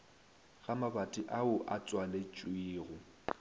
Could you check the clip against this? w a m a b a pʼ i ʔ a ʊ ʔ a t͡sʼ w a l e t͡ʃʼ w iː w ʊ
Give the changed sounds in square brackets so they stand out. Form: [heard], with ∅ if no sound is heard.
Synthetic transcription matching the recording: [ɣ] a m a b a [tʼ] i ʔ a ʊ ʔ a t͡sʼ w a l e t͡ʃʼ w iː [ɣ] ʊ